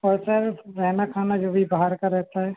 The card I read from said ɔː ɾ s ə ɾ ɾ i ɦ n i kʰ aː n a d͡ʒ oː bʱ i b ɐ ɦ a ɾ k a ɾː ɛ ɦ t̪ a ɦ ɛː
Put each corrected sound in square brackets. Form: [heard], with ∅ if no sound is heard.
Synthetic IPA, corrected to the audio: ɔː ɾ s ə ɾ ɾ [ɛ] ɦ n [a] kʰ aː n a d͡ʒ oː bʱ i b [a] ɦ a ɾ k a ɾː ɛ ɦ t̪ a ɦ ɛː

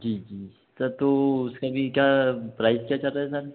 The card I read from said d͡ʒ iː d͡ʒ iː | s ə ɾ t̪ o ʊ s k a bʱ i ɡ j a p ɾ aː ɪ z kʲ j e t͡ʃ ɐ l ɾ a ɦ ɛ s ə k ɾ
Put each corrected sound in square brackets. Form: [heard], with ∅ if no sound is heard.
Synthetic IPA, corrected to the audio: d͡ʒ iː d͡ʒ iː | s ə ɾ t̪ o ʊ s k a bʱ i [k] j a p ɾ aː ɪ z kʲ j [a] t͡ʃ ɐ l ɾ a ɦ ɛ s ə [∅] ɾ

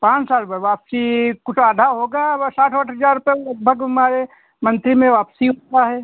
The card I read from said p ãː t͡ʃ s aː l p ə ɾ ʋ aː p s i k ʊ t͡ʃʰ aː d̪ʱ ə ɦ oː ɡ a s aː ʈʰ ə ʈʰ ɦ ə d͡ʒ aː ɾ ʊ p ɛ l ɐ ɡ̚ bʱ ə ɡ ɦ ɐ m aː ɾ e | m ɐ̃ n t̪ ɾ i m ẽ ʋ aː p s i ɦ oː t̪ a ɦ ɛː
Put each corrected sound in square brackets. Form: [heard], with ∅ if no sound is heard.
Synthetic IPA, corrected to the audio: p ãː t͡ʃ s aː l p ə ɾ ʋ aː p s i k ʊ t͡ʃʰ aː d̪ʱ [a] ɦ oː ɡ a s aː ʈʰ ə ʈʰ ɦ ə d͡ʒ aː ɾ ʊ p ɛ l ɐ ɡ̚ bʱ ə ɡ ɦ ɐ m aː ɾ e | m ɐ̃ n t̪ ɾ i m ẽ ʋ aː p s i ɦ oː t̪ a ɦ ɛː

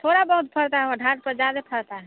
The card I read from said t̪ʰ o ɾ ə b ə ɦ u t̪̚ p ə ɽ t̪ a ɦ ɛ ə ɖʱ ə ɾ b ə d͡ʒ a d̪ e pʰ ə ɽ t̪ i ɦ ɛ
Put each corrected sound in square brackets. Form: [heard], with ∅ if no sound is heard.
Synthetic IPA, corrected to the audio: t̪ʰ o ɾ [a] b ə ɦ u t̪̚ [pʰ] ə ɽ t̪ a ɦ ɛ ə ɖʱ [a] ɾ [p] ə d͡ʒ a d̪ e pʰ ə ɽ t̪ [a] ɦ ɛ

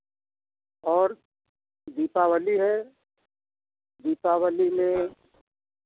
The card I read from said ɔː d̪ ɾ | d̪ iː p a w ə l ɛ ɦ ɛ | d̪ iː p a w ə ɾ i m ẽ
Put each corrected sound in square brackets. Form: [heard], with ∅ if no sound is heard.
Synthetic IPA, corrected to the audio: ɔː [∅] ɾ | d̪ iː p a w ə l [i] ɦ ɛ | d̪ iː p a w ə [l] i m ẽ

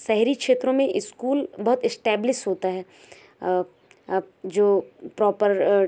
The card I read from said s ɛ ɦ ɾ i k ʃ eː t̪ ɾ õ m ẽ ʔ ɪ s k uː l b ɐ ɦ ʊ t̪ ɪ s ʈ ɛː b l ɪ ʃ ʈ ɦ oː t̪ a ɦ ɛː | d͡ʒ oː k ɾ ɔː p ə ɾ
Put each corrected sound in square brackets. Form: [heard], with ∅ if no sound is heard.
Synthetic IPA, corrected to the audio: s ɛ ɦ ɾ i k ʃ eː t̪ ɾ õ m ẽ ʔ ɪ s k uː l b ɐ ɦ ʊ t̪ ɪ s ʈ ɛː b l ɪ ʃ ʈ ɦ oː t̪ a ɦ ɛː | d͡ʒ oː [p] ɾ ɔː p ə ɾ

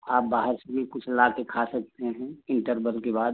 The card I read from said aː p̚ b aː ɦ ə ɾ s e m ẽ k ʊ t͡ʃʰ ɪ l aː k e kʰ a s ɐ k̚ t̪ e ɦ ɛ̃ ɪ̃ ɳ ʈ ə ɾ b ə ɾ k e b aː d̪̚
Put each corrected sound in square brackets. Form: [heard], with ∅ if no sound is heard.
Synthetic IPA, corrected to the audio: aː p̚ b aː ɦ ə ɾ s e m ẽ k ʊ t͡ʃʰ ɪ l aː k e kʰ a s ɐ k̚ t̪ e ɦ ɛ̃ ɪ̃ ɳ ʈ ə ɾ b ə [l] k e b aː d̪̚

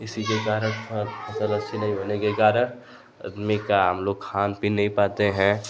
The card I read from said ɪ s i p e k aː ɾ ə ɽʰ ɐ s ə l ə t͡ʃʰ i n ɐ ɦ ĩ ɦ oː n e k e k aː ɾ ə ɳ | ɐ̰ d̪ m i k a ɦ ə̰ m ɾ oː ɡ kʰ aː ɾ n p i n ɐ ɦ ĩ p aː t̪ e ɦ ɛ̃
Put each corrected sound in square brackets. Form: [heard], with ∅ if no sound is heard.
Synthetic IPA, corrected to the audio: ɪ s i [k] e k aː ɾ ə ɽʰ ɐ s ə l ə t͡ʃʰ i n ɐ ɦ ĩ ɦ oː n e k e k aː ɾ ə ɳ | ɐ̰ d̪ m i k a ɦ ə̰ m [l] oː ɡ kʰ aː [∅] n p i n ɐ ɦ ĩ p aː t̪ e ɦ ɛ̃

